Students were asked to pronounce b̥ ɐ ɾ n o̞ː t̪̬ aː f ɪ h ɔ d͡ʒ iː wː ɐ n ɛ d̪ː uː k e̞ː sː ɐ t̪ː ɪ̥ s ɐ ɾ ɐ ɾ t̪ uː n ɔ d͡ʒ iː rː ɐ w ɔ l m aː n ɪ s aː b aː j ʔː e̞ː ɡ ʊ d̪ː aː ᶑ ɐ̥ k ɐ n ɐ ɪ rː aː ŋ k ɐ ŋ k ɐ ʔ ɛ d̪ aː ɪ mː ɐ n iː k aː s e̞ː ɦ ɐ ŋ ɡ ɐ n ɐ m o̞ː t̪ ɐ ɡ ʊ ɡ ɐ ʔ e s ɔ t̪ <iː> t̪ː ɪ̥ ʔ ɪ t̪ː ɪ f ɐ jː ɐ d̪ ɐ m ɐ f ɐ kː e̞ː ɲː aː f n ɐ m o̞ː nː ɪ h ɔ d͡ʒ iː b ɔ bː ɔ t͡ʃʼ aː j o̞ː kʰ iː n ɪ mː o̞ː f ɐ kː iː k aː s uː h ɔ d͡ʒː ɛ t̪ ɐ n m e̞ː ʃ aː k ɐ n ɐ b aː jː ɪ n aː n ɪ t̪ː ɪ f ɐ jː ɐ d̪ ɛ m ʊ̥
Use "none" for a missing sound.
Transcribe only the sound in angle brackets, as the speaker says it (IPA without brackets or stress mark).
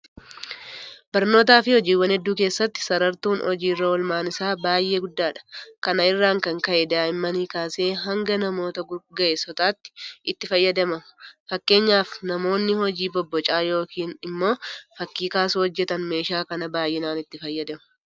aː